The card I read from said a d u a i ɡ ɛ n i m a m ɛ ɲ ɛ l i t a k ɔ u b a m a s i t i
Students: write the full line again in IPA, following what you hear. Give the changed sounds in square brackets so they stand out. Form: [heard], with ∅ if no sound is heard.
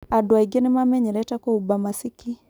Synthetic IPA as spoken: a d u a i ɡ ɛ n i m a m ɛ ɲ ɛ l [ɛ] t a k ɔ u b a m a s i [k] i